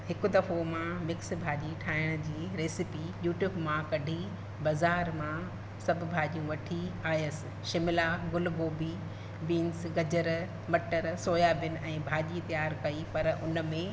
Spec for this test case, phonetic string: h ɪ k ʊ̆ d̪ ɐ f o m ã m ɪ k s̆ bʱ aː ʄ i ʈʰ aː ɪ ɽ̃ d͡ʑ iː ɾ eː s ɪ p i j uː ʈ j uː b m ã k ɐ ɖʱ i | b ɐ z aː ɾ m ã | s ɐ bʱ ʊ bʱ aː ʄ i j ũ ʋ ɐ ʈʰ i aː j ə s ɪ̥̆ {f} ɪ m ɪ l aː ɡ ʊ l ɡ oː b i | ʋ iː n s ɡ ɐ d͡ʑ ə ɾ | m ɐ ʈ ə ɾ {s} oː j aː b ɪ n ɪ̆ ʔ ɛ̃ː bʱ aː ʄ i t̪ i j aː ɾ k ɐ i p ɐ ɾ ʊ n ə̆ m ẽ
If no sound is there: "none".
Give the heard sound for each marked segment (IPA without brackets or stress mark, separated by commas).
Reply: ʃ, s